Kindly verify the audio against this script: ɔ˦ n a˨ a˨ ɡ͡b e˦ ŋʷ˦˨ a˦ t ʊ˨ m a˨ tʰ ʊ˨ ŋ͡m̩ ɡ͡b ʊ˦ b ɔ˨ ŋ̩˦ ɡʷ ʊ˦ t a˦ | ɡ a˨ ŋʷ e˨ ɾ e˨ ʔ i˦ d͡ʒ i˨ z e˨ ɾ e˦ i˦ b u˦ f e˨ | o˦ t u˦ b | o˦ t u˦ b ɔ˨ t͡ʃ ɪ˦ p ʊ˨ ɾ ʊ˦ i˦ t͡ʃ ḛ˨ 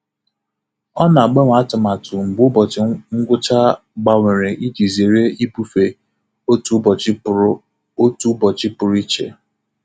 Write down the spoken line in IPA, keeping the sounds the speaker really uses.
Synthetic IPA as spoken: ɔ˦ n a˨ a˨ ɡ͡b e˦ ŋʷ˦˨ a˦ t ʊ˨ m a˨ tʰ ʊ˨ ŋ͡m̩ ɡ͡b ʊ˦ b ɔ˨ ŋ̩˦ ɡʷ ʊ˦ t͡ʃ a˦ | ɡ͡b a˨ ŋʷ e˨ ɾ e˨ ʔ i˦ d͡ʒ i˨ z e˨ ɾ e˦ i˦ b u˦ f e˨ | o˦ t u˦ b | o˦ t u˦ b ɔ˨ t͡ʃ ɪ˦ p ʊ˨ ɾ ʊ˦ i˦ t͡ʃ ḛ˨